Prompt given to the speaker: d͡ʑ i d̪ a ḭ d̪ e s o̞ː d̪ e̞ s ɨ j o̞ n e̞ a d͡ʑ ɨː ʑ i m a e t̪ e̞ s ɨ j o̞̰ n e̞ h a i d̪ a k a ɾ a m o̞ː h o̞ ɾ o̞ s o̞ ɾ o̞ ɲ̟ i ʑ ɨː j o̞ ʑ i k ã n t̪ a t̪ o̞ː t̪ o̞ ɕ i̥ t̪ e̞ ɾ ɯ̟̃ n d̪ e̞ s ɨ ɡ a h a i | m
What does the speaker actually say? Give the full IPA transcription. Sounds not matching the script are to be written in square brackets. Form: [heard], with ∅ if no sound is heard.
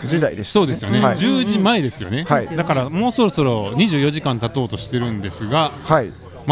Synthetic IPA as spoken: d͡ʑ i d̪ a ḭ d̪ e s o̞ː d̪ e̞ s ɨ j o̞ n e̞ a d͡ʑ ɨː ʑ i m a e [d̪] e̞ s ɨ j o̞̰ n e̞ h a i d̪ a k a ɾ a m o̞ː [s] o̞ ɾ o̞ s o̞ ɾ o̞ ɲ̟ i ʑ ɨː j o̞ ʑ i k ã n t̪ a t̪ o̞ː t̪ o̞ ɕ i̥ t̪ e̞ ɾ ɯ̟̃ n d̪ e̞ s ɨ ɡ a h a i | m